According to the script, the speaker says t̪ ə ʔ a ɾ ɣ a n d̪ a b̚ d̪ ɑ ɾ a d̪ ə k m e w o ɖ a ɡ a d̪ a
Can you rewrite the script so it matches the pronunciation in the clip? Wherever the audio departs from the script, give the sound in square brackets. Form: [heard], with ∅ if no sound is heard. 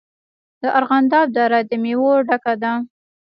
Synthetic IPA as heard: [d̪] ə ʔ a ɾ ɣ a n d̪ [ɑ] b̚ d̪ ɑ ɾ a d̪ ə [∅] m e w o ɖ a [k] a d̪ a